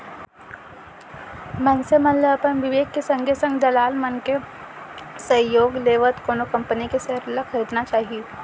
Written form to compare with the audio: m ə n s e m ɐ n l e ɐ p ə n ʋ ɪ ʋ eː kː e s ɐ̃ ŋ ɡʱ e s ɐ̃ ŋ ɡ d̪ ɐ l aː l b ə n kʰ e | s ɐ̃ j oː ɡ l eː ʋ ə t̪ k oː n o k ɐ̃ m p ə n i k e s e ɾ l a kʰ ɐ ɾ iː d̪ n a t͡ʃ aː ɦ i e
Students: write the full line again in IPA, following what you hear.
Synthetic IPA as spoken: m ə n s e m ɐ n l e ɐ p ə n ʋ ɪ ʋ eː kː e s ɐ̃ ŋ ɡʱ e s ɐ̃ ŋ ɡ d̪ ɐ l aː l m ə n k e | s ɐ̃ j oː ɡ l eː ʋ ə t̪ k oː n o k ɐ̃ m p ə n i k e s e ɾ l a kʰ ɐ ɾ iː d̪ n a t͡ʃ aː ɦ i e